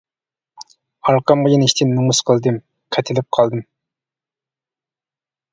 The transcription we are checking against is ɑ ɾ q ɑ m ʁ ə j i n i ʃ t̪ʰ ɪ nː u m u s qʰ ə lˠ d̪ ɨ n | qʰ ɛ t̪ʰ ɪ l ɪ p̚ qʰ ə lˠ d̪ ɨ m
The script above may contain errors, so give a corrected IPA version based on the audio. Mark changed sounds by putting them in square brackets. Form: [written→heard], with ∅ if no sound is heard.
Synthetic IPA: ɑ ɾ q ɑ m ʁ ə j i n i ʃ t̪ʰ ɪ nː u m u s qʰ ə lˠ d̪ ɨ [n→m] | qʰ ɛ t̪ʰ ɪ l ɪ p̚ qʰ [ə→ɑ] lˠ d̪ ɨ m